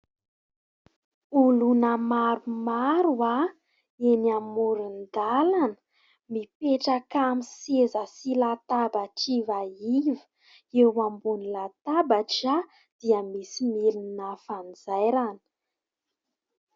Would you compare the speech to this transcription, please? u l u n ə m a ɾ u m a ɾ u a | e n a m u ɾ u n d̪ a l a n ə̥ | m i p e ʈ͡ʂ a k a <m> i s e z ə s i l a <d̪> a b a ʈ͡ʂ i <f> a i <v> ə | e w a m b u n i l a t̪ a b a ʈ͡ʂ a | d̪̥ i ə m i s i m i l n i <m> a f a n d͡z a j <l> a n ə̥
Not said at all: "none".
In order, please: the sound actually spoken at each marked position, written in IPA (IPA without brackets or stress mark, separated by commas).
m, t̪, v, v, n, ɾ